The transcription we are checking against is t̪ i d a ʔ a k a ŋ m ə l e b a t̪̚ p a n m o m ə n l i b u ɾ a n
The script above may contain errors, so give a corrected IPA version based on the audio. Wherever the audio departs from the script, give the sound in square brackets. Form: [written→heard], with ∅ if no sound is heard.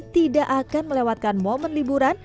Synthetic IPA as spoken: t̪ i d a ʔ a k a [ŋ→n] m ə l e [b→w] a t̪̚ [p→k] a n m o m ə n l i b u ɾ a n